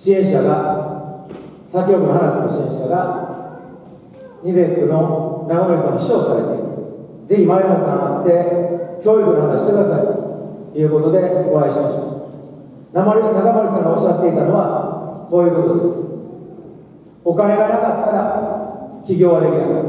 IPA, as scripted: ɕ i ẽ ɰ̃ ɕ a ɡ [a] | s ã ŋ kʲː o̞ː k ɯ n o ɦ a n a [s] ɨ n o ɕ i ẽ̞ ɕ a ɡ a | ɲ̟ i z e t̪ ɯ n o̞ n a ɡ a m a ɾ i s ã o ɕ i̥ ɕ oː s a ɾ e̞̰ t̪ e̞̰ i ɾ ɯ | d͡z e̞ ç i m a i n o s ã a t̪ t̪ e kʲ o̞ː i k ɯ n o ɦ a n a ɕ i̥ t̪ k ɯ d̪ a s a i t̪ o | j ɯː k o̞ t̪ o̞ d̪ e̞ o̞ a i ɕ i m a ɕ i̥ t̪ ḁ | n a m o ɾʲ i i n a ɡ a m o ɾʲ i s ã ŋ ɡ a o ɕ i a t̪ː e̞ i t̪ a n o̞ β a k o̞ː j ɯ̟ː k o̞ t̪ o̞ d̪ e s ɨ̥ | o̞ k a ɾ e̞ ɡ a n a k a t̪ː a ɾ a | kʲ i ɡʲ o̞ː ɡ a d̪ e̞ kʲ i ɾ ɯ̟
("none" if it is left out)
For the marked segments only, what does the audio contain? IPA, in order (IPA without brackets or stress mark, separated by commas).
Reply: a, s